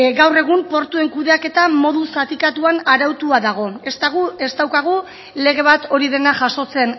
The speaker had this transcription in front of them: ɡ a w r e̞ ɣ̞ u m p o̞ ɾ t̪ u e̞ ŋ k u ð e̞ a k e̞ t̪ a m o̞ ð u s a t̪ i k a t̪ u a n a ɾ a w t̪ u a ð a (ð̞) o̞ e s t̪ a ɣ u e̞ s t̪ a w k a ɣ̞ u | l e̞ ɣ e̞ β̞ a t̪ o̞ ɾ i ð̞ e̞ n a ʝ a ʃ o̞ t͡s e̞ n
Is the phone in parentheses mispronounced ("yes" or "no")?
yes